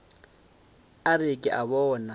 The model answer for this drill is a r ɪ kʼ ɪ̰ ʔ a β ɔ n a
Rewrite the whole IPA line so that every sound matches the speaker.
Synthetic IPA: a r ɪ kʼ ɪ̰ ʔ a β ɔː n a

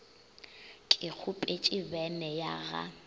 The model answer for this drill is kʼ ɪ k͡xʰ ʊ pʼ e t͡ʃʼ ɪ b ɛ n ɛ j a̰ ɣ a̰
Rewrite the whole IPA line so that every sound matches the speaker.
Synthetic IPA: kʼ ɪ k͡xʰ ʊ pʼ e t͡ʃʼ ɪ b ɛ n ɛ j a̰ ɣ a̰

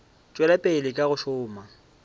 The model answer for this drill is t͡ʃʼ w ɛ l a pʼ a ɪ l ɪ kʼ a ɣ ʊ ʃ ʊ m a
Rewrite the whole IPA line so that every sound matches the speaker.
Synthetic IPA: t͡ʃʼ w ɛ l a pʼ e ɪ l ɪ kʼ a ɣ ʊ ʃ ʊː m a

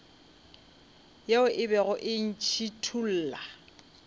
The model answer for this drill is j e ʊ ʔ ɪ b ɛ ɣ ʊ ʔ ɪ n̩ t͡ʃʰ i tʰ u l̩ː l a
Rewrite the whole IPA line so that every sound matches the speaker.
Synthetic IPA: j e ʊ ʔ ɪ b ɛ ɣ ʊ ʔ ɪ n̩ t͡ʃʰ i tʰ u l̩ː l a

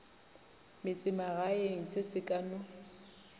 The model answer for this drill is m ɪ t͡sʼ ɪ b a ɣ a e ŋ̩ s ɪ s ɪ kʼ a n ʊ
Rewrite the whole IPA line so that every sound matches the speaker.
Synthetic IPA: m ɪ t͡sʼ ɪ m a ɣ a e ŋ̩ s ɪ s ɪ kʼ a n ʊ

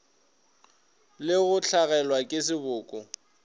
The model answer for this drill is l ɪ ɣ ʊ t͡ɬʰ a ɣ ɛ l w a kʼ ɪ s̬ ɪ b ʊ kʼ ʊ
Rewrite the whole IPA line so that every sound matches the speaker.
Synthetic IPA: l ɪ ɣ ʊ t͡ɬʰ a ɣ ɛ l w a kʼ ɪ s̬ ɪ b ʊː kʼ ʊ

